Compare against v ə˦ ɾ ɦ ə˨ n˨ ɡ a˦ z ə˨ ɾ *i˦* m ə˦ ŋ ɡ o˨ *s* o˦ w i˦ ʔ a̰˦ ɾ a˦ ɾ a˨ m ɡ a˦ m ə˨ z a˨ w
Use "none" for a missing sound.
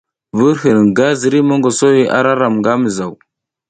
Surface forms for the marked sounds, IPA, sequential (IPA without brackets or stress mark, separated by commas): i˦, s